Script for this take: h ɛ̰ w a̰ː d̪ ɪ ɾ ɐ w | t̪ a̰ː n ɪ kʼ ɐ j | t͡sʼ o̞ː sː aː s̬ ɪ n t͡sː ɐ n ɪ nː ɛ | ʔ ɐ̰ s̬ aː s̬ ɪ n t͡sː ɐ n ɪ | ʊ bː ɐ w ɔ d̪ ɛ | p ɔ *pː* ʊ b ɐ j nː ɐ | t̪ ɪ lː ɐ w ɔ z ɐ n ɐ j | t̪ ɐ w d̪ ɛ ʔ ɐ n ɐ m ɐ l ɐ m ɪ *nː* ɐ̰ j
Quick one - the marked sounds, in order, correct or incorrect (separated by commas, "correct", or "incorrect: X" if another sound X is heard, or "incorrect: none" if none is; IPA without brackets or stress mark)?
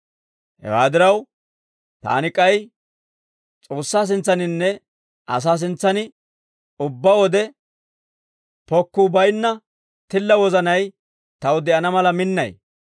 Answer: incorrect: kː, correct